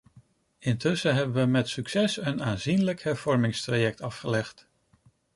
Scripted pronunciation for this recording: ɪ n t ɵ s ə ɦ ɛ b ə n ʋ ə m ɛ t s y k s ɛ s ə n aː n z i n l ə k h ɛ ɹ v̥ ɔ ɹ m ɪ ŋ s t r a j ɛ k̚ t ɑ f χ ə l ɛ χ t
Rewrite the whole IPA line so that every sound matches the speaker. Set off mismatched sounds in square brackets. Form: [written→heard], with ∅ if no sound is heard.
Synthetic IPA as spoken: ɪ n t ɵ s ə ɦ ɛ b ə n ʋ ə m ɛ t s y k s ɛ s ə n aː n z i n l ə k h ɛ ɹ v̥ ɔ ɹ m ɪ ŋ s t r a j ɛ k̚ t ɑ f χ ə l ɛ χ t